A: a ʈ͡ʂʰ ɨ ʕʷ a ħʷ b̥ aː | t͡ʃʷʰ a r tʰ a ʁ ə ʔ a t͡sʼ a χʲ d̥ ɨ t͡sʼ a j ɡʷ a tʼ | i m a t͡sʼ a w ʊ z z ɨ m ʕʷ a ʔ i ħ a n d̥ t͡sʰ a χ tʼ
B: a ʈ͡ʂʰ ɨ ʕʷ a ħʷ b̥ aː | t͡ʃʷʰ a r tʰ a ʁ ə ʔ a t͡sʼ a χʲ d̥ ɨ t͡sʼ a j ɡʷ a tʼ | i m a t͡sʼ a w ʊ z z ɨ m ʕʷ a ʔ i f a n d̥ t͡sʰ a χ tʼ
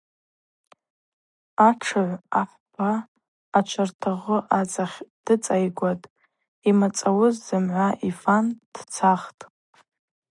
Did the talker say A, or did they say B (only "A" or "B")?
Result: B